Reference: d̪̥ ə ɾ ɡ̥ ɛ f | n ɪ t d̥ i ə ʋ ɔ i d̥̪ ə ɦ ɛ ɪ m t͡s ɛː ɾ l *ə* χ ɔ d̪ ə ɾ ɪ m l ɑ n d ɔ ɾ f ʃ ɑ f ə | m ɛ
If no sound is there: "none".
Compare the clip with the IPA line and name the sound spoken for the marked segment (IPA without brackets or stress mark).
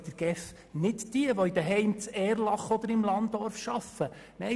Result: ɑ